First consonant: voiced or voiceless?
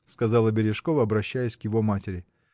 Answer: voiceless